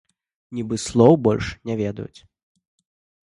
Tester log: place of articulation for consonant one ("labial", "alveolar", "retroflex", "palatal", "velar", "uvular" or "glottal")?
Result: alveolar